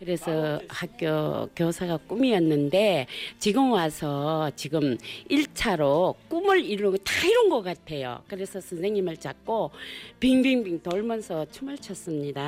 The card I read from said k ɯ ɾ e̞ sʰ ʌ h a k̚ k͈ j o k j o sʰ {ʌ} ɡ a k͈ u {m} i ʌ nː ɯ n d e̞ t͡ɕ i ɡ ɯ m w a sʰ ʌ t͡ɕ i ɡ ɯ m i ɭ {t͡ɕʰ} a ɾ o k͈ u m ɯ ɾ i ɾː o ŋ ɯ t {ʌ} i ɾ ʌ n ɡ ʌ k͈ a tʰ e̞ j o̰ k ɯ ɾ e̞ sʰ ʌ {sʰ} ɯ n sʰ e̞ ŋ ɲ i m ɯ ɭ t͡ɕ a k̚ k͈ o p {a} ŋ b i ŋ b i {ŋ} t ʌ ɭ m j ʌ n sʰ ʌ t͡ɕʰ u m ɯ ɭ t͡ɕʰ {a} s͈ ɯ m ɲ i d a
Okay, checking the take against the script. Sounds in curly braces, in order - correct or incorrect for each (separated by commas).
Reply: incorrect, correct, correct, incorrect, correct, incorrect, correct, incorrect